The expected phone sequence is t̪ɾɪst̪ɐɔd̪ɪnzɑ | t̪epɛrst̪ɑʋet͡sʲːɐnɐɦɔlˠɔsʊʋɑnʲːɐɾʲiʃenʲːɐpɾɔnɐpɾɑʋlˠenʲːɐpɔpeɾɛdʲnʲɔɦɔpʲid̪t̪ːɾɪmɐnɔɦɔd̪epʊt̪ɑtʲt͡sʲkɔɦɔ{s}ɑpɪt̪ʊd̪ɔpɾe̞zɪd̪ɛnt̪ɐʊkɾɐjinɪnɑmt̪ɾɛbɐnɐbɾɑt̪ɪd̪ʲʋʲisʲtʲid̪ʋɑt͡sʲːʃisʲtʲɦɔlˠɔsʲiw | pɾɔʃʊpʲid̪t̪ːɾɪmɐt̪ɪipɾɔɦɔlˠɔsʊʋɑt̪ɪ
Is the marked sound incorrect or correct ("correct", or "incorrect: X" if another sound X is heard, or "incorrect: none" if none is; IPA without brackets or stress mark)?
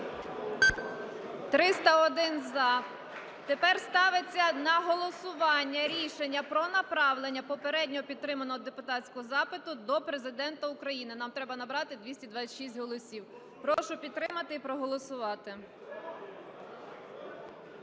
incorrect: z